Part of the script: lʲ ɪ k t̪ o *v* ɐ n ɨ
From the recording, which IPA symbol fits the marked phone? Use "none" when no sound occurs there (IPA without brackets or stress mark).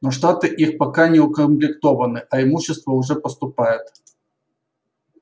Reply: v